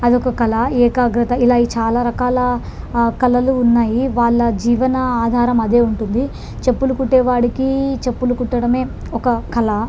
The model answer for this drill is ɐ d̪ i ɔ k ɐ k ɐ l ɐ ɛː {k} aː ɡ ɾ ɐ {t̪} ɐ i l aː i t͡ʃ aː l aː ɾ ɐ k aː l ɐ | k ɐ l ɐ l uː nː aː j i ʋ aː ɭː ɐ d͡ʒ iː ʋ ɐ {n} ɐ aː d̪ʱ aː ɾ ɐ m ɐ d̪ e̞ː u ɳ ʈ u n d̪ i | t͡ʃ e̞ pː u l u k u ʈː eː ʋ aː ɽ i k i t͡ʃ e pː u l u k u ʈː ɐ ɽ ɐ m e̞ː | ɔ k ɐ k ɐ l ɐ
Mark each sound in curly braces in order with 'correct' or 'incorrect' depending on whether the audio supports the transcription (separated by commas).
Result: correct, correct, correct